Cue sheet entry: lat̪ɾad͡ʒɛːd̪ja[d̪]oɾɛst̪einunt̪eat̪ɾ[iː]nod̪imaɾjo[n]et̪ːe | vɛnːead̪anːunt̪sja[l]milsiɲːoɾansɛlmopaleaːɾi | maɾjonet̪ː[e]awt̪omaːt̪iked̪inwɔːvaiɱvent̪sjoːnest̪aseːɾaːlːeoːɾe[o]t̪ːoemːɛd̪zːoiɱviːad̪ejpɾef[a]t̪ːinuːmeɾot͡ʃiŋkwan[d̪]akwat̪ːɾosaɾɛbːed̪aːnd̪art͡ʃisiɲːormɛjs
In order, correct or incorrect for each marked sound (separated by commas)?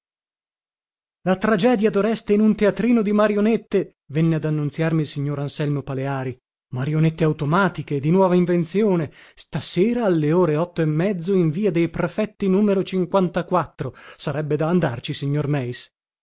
correct, correct, correct, incorrect, correct, incorrect, incorrect, incorrect